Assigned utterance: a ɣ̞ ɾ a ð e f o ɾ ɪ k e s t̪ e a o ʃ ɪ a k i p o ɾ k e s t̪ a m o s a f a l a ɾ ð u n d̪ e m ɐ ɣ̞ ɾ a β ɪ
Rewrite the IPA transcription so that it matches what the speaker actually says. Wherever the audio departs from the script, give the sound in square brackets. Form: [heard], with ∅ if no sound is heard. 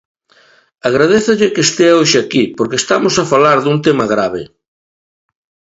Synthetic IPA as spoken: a ɣ̞ ɾ a ð e [θ] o [ʎ] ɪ k e s t̪ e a o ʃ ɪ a k i p o ɾ k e s t̪ a m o s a f a l a ɾ ð u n [t̪] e m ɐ ɣ̞ ɾ a β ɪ